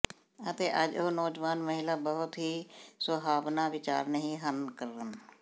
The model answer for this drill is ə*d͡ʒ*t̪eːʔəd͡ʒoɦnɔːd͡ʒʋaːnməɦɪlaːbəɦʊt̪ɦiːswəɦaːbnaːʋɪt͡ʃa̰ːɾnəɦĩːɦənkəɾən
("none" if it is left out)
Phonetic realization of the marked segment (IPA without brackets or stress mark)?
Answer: none